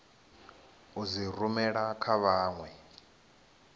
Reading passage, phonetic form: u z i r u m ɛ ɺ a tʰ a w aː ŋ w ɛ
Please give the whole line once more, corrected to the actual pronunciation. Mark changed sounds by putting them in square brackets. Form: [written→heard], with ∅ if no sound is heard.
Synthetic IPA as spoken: u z i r u m ɛ ɺ a [tʰ→kʰ] a [w→β] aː ŋ w ɛ